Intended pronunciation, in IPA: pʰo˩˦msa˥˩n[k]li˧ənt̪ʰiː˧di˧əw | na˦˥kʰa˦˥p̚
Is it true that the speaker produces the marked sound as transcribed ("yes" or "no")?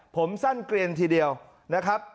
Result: yes